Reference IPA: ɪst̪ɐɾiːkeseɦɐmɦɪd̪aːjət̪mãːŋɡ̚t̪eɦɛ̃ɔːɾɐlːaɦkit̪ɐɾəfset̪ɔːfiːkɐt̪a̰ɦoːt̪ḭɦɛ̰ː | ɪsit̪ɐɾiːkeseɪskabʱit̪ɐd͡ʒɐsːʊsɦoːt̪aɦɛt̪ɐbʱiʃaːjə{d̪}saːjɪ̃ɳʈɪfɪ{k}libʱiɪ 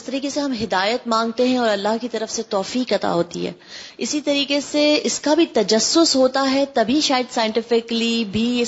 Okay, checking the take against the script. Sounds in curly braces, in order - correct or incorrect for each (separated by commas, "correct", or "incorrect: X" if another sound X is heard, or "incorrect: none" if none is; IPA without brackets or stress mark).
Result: correct, correct